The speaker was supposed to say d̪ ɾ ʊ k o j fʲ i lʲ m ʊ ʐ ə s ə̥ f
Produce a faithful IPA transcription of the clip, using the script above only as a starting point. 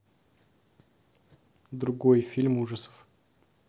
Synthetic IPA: d̪ ɾ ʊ ɡ o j fʲ i lʲ m u ʐ ə s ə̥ f